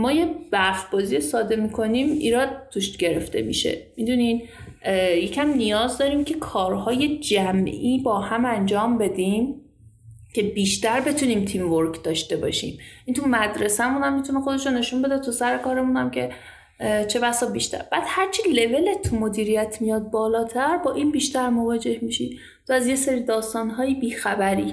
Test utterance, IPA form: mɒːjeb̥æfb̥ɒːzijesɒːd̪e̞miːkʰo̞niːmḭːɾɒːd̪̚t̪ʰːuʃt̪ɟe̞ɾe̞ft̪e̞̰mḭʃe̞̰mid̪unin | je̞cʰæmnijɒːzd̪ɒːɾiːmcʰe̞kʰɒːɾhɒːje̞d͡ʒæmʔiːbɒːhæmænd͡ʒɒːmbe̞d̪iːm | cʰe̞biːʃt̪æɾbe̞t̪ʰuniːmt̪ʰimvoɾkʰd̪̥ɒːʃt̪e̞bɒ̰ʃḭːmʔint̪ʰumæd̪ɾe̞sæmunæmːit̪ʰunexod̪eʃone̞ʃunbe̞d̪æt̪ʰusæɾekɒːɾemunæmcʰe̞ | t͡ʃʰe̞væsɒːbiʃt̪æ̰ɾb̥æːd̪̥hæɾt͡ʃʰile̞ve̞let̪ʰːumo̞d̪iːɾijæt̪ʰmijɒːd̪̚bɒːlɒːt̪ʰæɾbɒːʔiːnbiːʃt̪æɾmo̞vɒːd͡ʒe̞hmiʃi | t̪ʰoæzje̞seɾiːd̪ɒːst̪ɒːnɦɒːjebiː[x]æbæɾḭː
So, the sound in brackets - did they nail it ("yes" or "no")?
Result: yes